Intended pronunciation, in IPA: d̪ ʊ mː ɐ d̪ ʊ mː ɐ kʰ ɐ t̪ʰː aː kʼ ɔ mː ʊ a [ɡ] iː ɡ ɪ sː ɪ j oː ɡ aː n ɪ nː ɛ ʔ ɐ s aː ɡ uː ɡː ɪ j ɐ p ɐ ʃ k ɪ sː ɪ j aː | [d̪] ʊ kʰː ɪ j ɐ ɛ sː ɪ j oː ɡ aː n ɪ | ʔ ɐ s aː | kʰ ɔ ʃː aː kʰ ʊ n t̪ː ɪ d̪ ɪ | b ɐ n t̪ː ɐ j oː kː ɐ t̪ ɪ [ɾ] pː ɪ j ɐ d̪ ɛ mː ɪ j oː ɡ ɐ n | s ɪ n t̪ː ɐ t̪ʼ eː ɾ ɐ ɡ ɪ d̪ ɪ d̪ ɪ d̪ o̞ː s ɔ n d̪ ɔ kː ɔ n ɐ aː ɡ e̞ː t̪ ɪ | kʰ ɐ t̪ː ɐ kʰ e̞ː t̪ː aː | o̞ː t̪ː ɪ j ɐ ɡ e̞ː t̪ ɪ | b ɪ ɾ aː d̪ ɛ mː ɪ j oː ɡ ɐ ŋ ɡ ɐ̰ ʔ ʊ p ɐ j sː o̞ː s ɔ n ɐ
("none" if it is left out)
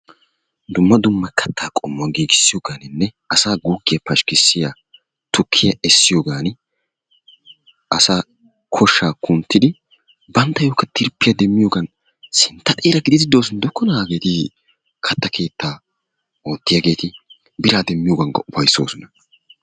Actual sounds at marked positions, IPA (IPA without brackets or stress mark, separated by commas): ɡ, t̪, ɾ